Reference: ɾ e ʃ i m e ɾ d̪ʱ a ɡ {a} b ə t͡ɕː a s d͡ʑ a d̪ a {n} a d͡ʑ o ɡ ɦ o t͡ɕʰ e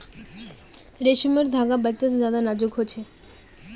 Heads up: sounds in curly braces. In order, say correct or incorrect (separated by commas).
correct, correct